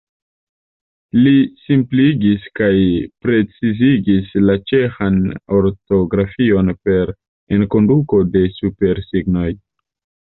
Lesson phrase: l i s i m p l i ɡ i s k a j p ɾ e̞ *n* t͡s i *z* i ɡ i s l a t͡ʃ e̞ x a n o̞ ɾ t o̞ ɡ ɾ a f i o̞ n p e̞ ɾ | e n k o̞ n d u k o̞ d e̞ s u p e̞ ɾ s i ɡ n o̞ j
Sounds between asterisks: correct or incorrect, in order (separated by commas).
incorrect, correct